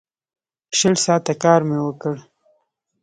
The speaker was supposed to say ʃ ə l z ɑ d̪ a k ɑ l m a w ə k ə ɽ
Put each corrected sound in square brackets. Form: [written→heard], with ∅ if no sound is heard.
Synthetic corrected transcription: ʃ ə l [z→s] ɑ [d̪→t̪] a k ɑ [l→ɾ] m [a→e] w ə k ə ɽ